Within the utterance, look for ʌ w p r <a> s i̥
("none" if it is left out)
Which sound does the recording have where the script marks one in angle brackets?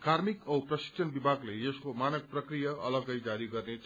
ʌ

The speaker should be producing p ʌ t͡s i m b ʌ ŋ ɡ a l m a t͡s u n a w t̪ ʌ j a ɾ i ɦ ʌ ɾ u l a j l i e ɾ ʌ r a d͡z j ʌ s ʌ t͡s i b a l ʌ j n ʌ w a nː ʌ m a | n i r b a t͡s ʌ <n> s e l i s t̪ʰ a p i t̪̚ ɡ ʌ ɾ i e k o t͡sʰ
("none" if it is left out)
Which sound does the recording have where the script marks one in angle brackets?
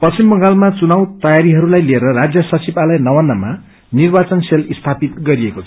n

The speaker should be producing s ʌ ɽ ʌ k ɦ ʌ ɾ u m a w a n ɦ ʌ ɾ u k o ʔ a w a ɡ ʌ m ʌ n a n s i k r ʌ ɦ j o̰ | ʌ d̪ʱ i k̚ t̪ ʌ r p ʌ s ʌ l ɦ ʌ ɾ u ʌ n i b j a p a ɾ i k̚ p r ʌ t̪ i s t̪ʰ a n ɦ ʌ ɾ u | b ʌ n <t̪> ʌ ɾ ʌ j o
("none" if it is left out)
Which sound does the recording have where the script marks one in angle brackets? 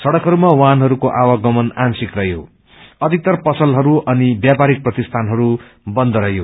d̪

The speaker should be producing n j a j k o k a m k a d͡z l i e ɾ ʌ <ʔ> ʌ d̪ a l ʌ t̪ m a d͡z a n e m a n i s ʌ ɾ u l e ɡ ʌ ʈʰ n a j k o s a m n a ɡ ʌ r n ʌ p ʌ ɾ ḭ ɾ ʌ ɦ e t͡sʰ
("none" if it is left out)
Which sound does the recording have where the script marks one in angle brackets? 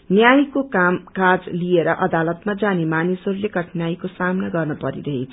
ʔ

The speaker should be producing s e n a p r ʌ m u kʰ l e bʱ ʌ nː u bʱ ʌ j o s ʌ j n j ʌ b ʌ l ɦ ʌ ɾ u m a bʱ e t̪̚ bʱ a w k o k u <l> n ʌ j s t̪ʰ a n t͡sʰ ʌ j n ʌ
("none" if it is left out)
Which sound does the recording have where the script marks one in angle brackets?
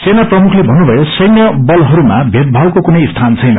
none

